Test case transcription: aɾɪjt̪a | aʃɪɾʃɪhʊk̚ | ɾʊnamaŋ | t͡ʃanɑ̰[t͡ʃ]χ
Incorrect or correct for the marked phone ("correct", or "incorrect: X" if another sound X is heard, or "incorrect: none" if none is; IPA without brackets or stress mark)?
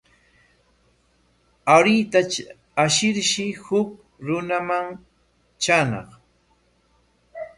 incorrect: none